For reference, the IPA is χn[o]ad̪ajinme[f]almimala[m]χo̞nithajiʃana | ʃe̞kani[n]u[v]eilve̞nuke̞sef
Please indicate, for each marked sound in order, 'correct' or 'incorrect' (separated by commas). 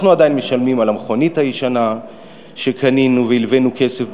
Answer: incorrect, incorrect, correct, correct, correct